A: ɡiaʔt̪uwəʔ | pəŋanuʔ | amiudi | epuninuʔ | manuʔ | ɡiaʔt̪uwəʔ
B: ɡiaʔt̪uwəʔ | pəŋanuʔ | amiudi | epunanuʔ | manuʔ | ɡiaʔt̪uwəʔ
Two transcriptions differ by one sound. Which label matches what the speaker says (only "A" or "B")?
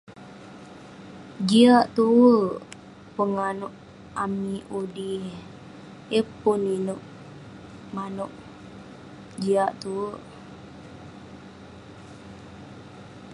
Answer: A